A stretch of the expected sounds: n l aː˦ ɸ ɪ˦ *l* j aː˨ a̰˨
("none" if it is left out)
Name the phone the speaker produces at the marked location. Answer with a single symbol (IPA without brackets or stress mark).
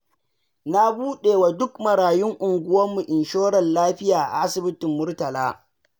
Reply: none